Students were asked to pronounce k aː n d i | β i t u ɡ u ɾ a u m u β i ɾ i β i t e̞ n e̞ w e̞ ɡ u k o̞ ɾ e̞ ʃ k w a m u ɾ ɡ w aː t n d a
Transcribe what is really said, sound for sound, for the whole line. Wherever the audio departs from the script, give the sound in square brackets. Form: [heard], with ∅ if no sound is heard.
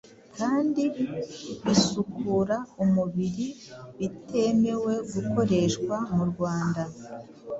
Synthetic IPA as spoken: k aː n d i | β i [s] u [k] u ɾ a u m u β i ɾ i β i t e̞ [m] e̞ w e̞ ɡ u k o̞ ɾ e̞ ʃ k w a m u ɾ ɡ w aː [∅] n d a